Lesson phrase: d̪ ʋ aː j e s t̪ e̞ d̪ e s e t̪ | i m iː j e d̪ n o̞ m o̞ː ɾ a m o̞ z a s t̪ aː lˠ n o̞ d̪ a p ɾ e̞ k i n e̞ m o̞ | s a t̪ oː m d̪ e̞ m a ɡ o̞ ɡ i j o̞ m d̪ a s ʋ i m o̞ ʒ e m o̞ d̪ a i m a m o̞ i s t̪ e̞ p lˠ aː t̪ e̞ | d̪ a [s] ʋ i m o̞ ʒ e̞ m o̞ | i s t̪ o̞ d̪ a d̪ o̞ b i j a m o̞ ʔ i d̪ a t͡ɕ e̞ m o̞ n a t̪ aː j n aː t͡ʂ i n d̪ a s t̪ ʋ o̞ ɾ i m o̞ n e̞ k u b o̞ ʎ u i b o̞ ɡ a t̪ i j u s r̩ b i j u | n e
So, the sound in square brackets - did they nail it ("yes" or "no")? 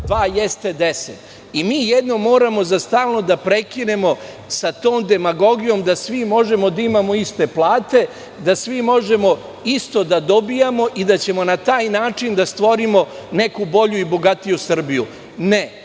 yes